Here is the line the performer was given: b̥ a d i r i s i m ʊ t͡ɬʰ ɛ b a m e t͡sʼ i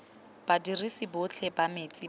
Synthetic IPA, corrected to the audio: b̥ a d i r i s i b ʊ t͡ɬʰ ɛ b a m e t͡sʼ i